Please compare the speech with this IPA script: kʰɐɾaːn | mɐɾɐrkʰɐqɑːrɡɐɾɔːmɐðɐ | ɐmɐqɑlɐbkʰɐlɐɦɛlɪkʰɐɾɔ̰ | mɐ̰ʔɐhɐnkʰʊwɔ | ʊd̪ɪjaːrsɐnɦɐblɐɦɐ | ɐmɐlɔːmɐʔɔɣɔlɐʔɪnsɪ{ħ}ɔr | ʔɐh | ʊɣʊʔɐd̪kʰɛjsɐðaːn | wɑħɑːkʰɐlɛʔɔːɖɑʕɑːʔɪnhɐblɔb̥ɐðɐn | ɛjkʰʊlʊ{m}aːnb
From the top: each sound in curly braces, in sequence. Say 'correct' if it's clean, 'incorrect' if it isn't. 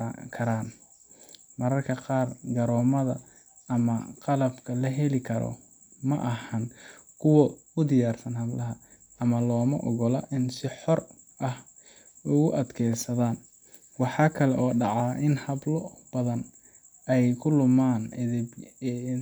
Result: correct, correct

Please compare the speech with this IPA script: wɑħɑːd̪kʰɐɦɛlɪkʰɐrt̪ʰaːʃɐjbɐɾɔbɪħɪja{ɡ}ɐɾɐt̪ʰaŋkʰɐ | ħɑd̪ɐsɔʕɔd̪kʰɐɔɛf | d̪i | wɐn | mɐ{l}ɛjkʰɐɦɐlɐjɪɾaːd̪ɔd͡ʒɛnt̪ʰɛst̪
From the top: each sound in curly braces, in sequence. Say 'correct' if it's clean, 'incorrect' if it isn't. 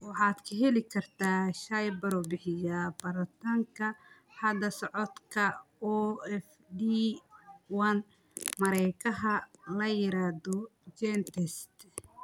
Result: incorrect: b, incorrect: ɾ

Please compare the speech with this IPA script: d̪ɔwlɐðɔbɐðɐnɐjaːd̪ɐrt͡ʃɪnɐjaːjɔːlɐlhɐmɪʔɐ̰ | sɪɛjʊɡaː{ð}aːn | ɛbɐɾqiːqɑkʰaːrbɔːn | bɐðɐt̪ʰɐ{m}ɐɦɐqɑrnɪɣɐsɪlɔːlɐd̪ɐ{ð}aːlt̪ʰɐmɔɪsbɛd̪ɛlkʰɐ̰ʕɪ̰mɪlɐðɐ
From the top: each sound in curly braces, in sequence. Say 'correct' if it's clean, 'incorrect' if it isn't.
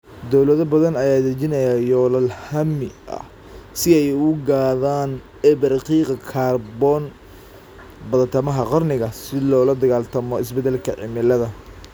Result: correct, correct, incorrect: ɣ

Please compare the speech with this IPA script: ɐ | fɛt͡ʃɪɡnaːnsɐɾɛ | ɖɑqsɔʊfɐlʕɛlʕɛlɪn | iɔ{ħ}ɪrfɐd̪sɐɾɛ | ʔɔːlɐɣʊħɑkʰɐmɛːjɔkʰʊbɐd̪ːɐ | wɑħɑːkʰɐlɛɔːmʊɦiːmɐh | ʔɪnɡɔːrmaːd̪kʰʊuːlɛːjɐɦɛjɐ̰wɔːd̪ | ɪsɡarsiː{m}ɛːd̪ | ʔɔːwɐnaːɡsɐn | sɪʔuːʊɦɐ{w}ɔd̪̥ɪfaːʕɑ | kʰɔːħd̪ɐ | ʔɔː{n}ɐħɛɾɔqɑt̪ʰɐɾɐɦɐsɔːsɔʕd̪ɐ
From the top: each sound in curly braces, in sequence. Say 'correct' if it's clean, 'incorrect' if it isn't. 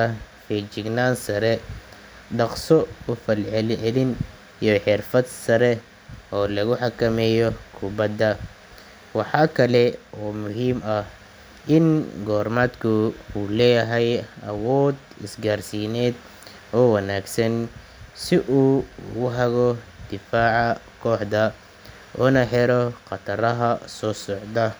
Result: correct, incorrect: n, incorrect: ɣ, correct

